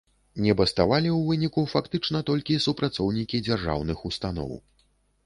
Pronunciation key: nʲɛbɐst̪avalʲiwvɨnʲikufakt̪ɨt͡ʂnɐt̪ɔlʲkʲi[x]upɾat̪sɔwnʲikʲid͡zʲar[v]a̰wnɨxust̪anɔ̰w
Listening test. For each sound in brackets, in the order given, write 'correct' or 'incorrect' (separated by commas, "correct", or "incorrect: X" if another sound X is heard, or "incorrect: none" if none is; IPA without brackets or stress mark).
incorrect: s, incorrect: ʐ